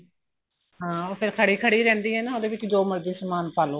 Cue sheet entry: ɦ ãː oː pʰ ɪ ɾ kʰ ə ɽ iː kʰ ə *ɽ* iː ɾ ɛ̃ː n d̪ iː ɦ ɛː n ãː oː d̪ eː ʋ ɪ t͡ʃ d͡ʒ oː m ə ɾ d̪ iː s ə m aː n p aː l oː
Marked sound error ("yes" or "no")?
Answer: no